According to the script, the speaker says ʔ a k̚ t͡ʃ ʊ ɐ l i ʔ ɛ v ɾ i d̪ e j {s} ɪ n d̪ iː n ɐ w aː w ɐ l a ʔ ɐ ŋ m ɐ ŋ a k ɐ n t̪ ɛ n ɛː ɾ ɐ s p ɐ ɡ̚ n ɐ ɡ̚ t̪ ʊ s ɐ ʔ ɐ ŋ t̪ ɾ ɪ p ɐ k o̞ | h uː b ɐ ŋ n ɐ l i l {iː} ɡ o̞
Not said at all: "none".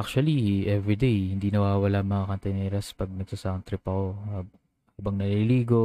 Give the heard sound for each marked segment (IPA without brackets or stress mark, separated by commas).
h, iː